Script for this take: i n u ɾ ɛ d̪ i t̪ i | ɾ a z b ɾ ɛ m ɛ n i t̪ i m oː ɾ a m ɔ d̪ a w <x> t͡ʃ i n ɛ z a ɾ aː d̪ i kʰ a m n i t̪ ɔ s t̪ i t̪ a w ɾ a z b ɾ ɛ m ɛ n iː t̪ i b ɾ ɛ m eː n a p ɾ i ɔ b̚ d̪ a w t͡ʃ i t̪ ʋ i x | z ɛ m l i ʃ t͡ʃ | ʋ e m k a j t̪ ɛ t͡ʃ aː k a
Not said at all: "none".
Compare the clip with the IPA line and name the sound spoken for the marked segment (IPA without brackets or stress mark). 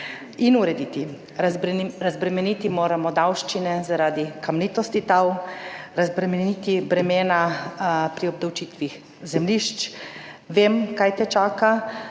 ʃ